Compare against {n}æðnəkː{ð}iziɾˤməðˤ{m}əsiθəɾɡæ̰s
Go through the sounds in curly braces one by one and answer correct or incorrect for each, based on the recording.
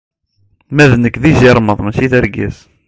incorrect, correct, correct

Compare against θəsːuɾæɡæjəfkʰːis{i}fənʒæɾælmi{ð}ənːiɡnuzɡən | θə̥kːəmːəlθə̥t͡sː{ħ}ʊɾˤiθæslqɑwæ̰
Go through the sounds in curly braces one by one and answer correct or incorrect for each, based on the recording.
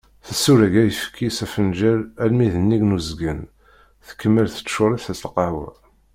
incorrect, correct, incorrect

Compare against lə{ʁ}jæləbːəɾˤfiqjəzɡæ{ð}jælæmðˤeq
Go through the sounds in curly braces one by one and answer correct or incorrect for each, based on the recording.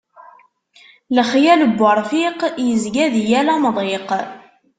incorrect, correct

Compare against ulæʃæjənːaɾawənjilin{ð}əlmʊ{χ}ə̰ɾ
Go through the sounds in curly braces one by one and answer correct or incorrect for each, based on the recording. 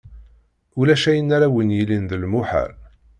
correct, incorrect

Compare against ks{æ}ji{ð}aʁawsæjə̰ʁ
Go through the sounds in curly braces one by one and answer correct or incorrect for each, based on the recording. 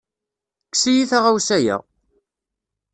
incorrect, incorrect

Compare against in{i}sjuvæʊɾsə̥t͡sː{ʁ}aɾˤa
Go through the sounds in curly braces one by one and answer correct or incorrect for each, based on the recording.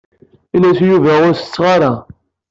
incorrect, correct

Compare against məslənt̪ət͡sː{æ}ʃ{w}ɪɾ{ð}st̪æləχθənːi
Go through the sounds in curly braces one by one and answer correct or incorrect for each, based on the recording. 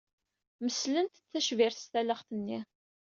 correct, incorrect, incorrect

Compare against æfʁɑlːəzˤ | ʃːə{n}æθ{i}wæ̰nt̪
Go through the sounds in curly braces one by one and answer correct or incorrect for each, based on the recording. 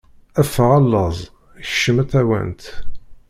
incorrect, incorrect

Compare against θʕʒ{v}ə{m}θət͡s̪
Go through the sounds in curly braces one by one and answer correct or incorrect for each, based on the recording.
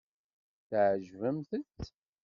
correct, correct

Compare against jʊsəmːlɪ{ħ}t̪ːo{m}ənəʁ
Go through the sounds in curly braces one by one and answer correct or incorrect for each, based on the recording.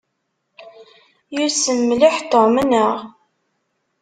correct, correct

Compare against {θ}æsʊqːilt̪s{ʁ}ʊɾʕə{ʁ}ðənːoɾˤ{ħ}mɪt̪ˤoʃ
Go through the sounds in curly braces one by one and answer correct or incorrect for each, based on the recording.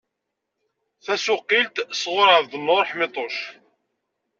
correct, correct, incorrect, correct

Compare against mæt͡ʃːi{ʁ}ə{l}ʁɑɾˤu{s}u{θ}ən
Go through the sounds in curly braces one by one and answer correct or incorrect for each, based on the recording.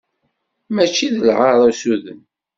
incorrect, correct, correct, incorrect

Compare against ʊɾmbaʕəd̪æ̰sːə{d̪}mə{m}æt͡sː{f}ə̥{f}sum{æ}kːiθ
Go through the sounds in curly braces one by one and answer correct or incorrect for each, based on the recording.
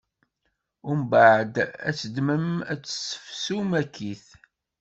correct, correct, incorrect, correct, correct

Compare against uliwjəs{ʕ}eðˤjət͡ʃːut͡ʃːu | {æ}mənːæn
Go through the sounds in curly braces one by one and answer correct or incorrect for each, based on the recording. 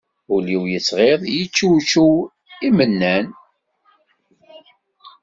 incorrect, incorrect

